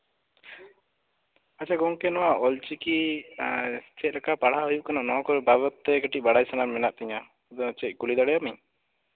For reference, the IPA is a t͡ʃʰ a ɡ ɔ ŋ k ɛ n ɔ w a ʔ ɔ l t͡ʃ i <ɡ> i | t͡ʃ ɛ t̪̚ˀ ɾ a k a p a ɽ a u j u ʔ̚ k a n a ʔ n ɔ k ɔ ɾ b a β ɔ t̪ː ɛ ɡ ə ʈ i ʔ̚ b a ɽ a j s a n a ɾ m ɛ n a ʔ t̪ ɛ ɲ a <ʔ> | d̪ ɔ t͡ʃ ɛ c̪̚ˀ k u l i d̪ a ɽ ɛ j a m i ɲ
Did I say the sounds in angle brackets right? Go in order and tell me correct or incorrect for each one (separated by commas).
incorrect, incorrect